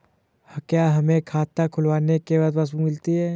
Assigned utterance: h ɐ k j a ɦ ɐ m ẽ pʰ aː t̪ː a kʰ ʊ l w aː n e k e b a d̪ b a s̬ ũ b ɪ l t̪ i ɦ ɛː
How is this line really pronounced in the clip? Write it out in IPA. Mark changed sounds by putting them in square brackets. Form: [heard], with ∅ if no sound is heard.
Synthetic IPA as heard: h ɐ k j a ɦ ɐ m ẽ [kʰ] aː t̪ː a kʰ ʊ l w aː n e k e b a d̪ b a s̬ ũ [m] ɪ l t̪ i ɦ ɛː